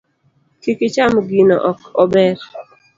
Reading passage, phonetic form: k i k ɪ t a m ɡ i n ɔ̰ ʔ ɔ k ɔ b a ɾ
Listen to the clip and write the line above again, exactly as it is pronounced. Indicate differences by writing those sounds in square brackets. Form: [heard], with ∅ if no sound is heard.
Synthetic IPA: k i k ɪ [t͡ʃ] a m ɡ i n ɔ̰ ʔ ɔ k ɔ b [ɛ] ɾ